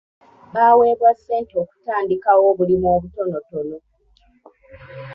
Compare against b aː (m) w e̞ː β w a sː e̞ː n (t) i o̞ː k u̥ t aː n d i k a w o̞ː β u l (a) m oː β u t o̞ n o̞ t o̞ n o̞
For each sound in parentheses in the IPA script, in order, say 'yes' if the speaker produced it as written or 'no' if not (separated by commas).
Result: no, yes, no